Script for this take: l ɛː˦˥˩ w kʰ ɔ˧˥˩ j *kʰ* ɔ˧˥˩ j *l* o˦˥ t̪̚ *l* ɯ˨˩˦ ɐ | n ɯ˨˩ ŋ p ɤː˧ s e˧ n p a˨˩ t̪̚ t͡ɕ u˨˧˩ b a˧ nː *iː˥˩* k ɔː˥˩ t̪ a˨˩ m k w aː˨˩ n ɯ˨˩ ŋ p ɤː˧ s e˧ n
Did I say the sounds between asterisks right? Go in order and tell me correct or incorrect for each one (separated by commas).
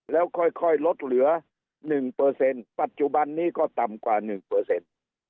correct, correct, correct, correct